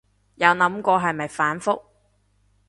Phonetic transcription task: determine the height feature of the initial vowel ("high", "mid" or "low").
low